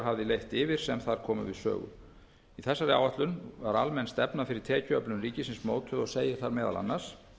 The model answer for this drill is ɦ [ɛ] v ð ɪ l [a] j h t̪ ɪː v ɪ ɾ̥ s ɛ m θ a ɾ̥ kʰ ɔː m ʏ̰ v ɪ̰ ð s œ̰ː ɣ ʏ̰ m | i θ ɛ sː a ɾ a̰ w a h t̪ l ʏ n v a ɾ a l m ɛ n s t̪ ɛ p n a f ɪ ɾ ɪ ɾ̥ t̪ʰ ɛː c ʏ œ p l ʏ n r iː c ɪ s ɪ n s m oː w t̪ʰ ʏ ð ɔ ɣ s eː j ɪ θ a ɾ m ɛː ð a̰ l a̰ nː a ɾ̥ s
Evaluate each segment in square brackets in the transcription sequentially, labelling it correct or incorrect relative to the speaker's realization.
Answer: incorrect: a, incorrect: e

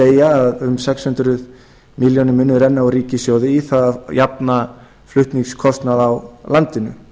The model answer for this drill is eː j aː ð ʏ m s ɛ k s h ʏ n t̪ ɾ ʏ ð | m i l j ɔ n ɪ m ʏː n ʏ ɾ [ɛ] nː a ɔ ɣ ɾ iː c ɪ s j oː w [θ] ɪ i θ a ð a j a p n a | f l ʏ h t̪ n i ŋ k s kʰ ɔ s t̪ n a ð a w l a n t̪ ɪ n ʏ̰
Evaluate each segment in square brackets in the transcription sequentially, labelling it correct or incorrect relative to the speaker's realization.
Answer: correct, incorrect: ð

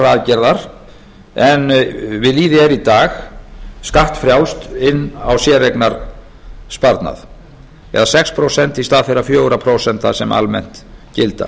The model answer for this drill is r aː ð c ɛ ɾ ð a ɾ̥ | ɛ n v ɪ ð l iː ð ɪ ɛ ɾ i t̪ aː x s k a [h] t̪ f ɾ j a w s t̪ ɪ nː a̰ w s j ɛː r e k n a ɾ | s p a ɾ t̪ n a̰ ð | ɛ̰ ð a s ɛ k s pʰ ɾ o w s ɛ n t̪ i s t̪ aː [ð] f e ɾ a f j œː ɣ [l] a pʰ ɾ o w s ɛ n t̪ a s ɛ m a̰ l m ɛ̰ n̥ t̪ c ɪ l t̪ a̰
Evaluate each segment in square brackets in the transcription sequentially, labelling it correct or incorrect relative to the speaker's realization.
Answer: correct, correct, incorrect: ɾ

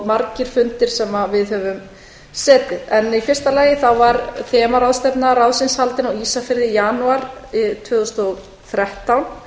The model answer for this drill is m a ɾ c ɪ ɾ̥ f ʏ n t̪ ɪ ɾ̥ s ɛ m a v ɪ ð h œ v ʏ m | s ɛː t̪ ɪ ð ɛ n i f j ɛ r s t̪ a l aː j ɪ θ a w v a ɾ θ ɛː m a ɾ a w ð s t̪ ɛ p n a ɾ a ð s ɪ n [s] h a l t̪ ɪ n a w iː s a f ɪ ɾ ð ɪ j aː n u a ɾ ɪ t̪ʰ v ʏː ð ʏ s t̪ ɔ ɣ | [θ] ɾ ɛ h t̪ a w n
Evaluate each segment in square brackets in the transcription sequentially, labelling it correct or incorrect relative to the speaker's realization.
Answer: correct, correct

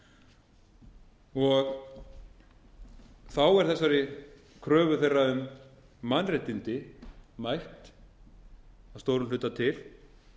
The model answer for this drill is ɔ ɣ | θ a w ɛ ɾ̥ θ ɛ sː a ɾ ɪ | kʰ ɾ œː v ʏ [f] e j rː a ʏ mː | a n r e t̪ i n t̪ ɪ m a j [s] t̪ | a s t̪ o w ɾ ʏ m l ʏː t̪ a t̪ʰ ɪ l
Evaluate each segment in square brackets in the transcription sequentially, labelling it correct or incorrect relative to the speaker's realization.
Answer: incorrect: θ, incorrect: h

